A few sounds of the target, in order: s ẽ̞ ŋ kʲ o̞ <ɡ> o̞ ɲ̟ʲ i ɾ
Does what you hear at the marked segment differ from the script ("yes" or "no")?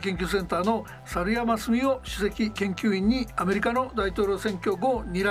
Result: no